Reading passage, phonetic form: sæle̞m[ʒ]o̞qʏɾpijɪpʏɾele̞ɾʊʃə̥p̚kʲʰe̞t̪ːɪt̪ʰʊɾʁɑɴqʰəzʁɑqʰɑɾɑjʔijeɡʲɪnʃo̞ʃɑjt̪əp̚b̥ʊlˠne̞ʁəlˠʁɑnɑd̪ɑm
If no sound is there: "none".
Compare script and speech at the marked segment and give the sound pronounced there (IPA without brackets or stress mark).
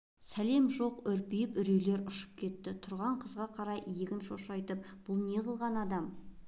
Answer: ʒ